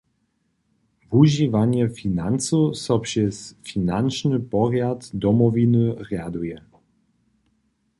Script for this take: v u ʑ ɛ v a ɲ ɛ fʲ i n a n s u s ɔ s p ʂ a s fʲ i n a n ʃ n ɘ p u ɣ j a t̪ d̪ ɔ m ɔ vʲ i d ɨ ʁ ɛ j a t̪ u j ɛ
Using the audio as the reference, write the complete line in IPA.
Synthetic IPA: v u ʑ i v a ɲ ɛ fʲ i n a n s u s ɔ p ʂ ɛ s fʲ i n a n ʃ n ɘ p ɔ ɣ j a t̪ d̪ ɔ m ɔ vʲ i n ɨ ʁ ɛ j a d̪ u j ɛ

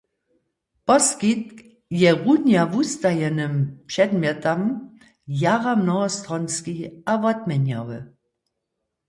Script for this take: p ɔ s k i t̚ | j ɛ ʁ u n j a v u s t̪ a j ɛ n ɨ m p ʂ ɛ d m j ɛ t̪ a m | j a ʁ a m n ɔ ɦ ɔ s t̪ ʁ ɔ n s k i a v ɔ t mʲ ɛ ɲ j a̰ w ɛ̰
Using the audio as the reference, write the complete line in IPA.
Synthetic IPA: p ɔ s k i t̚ | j ɛ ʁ u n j a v u s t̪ a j ɛ n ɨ m p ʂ ɛ d m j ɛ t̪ a m | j a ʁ a m n ɔ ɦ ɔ s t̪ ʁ ɔ n s k i a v ɔ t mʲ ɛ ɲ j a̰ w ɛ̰

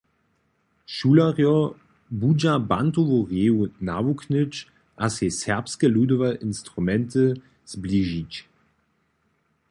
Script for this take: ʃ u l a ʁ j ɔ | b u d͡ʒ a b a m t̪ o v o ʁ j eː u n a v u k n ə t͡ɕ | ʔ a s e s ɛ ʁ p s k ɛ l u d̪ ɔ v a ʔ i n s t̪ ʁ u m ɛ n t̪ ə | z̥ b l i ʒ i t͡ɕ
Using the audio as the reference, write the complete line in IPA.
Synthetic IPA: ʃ u l a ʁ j ɔ | b u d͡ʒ a b a n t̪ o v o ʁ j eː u n a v u k n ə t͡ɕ | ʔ a s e s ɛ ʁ p s k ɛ l u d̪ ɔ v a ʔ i n s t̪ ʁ u m ɛ n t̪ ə | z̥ b l i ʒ i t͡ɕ

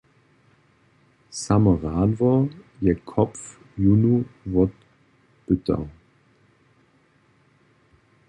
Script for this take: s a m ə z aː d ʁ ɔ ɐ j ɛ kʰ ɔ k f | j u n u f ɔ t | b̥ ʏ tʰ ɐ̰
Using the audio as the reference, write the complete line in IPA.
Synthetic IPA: s a m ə ʁ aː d v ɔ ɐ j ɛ kʰ ɔ p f | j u n u v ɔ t | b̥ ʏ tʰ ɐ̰

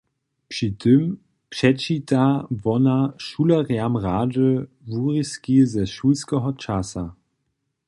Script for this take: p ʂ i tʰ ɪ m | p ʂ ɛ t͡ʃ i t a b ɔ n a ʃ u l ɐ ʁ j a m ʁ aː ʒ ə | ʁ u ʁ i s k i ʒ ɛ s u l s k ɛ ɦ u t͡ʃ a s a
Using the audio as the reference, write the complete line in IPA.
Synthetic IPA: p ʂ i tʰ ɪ m | p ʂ ɛ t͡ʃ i t a v ɔ n a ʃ u l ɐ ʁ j a m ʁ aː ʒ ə | v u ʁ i s k i z ɛ ʃ u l s k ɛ ɦ ɔ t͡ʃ a s a

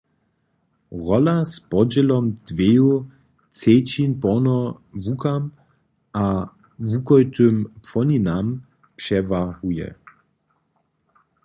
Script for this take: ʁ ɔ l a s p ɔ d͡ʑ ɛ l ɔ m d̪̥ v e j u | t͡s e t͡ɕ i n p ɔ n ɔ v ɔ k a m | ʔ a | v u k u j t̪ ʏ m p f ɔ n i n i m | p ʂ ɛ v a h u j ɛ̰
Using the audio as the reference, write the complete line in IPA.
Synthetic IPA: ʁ ɔ l a s p ɔ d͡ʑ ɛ l ɔ m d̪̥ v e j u | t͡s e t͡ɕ i n p ɔ n ɔ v u k a m | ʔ a | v u k ɔ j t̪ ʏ m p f ɔ n i n a m | p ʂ ɛ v a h u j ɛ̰

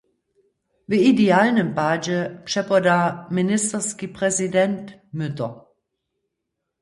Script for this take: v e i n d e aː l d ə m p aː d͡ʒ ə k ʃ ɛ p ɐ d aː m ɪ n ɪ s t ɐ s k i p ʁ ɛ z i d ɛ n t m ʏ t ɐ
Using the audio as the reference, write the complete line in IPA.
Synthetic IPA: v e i d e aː l n ə m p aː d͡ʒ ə p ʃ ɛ p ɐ d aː m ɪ n ɪ s t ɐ s k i p ʁ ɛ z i d ɛ n t m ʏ t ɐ

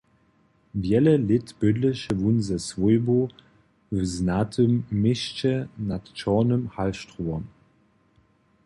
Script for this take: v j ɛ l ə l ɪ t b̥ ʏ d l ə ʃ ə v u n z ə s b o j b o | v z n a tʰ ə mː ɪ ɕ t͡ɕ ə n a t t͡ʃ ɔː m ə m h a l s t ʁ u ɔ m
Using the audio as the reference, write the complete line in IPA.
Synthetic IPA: v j ɛ l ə l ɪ t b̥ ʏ d l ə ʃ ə v u n z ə s v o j b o | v z n a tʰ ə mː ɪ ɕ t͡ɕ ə n a t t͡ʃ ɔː n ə m h a l ʃ t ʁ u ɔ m

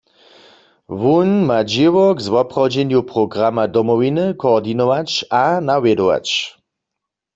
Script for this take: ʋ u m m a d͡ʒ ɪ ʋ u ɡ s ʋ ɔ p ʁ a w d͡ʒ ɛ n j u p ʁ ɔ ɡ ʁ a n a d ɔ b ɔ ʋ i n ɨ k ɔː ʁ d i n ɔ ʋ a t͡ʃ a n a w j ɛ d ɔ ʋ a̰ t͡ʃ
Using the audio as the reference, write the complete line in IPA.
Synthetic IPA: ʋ u n m a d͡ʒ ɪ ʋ ɔ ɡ z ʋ ɔ p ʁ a w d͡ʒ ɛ n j u p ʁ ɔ ɡ ʁ a m a d ɔ m ɔ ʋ i n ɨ k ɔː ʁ d i n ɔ ʋ a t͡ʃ a n a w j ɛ d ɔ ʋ a̰ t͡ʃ

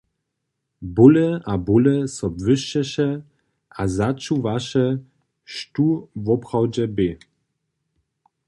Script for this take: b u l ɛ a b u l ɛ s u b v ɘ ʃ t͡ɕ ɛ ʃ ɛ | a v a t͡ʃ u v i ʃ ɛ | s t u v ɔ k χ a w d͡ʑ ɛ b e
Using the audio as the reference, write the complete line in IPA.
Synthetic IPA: b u l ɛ a b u l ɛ s ɔ b v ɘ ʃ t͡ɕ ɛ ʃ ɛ | a z a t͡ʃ u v a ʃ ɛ | ʃ t u v ɔ p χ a w d͡ʑ ɛ b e

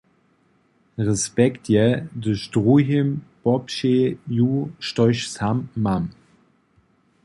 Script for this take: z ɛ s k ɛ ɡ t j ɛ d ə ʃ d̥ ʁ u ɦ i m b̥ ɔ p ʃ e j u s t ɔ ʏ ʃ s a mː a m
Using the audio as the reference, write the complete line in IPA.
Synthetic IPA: ʁ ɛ s p ɛ k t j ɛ d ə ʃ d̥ ʁ u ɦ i m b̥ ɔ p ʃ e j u ʃ t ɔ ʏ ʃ s a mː a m

